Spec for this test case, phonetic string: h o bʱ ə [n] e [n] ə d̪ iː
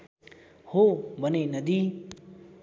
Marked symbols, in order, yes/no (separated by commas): yes, yes